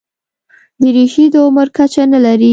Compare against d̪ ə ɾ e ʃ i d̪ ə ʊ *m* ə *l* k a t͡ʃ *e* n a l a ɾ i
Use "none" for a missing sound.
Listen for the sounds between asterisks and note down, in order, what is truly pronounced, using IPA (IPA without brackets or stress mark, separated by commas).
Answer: m, ɾ, a